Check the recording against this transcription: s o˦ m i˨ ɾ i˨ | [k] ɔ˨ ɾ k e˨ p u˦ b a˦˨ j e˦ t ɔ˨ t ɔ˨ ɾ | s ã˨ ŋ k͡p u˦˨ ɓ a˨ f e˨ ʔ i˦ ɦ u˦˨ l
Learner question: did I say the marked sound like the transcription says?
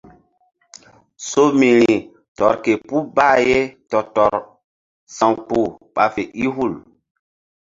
no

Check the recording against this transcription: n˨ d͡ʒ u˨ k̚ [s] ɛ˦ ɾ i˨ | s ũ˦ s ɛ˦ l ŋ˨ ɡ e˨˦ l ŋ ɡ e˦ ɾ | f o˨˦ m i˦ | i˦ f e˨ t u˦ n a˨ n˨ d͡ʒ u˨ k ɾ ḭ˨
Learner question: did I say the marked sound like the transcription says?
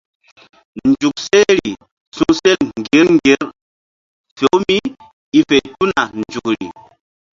yes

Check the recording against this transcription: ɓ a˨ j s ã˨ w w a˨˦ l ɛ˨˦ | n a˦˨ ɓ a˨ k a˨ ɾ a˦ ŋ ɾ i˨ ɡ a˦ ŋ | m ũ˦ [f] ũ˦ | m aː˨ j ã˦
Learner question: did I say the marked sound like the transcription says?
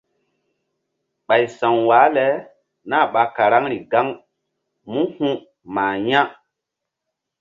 no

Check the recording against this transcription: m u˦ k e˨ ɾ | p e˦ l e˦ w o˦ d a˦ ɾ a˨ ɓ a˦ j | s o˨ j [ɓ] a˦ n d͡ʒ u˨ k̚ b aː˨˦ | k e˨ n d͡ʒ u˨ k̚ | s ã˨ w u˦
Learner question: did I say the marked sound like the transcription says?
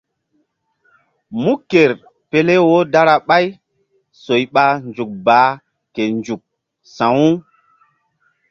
yes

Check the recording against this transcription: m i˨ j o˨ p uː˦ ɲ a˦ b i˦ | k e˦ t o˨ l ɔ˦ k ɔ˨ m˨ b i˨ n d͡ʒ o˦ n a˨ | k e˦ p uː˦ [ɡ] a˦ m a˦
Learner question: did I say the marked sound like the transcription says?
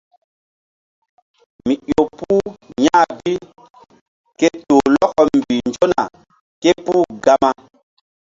yes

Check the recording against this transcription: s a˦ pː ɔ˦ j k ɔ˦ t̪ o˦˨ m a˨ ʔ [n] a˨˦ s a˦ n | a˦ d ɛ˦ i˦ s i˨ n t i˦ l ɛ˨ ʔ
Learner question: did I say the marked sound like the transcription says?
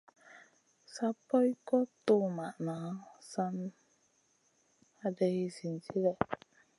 yes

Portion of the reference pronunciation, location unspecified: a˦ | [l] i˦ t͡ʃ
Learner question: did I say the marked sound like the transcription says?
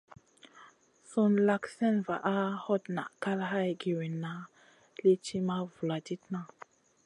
yes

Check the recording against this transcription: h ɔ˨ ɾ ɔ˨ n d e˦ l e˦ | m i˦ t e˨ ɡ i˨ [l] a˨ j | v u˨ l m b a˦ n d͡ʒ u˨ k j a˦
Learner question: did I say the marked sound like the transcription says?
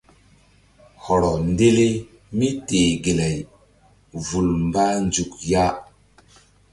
yes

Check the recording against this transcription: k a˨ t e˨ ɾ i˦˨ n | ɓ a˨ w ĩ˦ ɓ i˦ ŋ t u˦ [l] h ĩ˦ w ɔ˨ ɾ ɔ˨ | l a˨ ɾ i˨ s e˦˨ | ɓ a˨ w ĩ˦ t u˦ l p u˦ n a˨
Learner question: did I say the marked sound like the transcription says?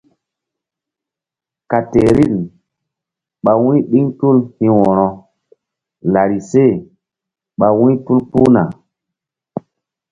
yes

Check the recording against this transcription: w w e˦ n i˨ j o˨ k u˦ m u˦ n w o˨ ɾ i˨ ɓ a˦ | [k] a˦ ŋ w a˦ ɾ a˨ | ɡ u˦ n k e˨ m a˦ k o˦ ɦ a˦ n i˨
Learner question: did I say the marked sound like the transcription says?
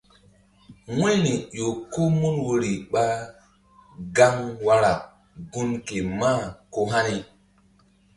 no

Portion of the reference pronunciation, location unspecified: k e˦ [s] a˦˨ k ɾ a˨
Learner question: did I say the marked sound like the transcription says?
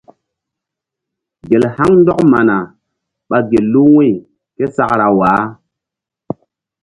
yes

